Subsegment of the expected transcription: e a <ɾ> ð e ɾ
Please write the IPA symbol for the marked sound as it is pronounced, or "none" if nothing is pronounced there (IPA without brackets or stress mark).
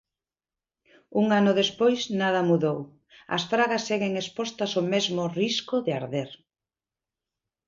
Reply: ɾ